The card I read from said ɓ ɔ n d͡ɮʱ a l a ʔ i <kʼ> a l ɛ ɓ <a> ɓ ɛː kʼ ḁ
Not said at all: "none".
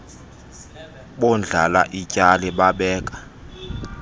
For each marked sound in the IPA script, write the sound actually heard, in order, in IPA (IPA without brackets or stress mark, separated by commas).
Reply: cʼ, a